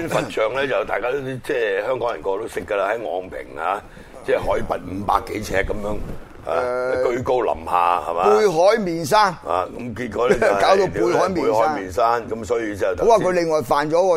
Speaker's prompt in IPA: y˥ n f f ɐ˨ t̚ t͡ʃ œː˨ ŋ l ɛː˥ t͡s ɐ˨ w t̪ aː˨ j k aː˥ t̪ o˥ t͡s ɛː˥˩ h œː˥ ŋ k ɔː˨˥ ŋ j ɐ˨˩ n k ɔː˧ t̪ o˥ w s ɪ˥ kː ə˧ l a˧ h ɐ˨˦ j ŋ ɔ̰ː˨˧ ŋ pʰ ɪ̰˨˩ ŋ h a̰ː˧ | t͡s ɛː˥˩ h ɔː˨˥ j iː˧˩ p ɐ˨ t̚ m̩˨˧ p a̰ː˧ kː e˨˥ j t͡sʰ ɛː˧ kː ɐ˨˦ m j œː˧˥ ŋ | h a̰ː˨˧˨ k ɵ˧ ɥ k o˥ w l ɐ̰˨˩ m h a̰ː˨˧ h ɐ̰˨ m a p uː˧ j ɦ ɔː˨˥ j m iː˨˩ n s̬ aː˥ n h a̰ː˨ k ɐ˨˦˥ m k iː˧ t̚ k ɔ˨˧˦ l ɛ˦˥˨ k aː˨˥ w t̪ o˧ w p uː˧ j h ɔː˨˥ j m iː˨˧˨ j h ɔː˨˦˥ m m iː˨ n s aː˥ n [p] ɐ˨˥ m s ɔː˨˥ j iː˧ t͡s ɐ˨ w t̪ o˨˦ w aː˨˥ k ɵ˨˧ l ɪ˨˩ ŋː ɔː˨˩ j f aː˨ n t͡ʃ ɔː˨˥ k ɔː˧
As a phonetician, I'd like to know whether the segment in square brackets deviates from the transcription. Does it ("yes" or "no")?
yes